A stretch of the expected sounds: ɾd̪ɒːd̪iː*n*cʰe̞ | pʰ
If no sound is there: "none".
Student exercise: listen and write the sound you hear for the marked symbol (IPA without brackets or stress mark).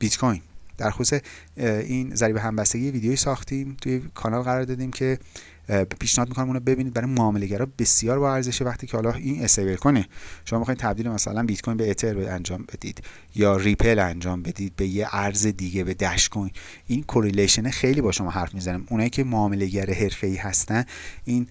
m